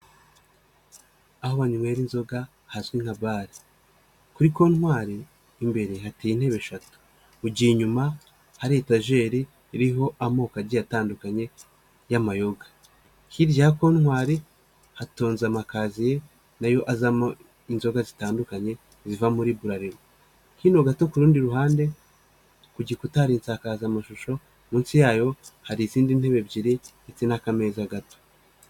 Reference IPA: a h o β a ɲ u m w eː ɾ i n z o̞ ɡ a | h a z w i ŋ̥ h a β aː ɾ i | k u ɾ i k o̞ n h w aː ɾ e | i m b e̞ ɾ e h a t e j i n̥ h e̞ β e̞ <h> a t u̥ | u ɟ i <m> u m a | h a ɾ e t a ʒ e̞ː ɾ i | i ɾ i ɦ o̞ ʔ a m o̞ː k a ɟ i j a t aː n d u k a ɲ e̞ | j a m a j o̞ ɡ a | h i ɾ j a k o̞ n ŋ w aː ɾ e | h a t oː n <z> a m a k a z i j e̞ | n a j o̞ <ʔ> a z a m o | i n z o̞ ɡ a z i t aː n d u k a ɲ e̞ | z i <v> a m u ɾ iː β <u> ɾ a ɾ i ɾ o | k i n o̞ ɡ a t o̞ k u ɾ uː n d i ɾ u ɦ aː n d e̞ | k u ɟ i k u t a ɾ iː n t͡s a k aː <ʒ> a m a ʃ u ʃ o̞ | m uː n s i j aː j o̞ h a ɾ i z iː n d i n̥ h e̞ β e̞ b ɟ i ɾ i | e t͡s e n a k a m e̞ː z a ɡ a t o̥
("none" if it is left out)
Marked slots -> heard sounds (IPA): ʃ, ɲ, z, ʔ, v, u, z

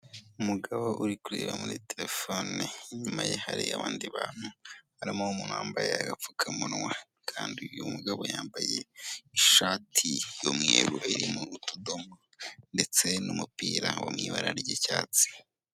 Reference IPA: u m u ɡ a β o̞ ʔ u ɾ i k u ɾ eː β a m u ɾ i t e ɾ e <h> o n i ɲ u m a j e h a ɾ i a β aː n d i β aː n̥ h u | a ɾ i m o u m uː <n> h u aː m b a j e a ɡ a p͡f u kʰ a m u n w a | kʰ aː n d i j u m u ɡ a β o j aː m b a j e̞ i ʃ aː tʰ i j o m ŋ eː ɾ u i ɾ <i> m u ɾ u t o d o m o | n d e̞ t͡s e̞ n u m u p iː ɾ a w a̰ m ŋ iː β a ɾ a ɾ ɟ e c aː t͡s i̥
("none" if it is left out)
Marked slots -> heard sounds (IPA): f, n, i

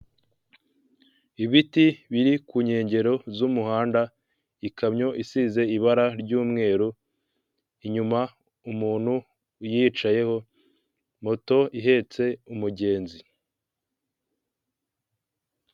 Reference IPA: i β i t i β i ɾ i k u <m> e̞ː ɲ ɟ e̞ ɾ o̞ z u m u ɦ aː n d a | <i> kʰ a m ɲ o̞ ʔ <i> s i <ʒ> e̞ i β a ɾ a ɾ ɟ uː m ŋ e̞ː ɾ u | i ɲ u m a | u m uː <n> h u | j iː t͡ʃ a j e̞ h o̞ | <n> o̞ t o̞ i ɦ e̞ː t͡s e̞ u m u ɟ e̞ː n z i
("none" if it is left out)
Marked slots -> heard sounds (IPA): ɲ, i, i, z, n, m

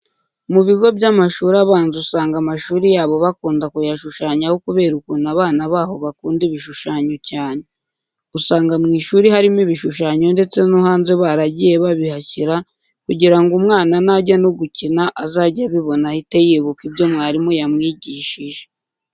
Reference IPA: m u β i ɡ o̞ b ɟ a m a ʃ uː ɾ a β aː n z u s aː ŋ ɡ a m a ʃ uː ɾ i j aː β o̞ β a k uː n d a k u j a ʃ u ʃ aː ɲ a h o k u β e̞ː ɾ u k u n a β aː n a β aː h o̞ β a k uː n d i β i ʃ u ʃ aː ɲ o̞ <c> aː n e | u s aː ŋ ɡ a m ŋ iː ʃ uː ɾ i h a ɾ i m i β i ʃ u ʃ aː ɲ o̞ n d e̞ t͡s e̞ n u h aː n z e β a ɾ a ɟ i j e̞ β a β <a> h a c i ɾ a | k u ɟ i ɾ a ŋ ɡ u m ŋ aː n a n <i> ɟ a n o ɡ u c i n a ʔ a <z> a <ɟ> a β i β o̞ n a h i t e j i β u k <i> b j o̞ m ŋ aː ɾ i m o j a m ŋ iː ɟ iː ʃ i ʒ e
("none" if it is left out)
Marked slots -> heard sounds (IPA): c, i, a, z, ɟ, i

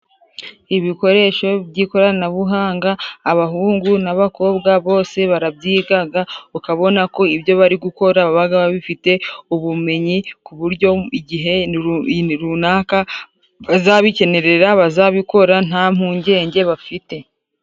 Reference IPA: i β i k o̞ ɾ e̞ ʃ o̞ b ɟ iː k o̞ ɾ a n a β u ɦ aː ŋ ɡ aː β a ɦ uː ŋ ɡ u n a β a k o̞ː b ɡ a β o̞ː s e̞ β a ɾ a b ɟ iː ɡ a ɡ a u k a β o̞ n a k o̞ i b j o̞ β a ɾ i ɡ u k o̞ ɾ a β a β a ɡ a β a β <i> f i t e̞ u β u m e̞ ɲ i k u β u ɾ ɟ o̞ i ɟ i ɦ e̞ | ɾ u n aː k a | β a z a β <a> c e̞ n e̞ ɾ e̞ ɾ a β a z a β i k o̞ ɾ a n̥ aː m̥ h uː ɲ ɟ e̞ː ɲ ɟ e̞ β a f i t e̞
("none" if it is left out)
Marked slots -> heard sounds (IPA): i, i

